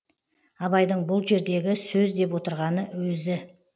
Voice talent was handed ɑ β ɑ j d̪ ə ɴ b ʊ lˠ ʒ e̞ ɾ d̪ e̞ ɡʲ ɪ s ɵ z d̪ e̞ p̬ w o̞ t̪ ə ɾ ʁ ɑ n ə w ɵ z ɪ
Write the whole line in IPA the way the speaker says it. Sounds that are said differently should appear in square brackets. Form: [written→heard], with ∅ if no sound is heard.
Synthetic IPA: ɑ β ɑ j d̪ ə ɴ b ʊ lˠ ʒ e̞ ɾ d̪ e̞ ɡʲ ɪ s ɵ z d̪ e̞ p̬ w o̞ t̪ ə ɾ ʁ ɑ n ə w ɵ z ɪ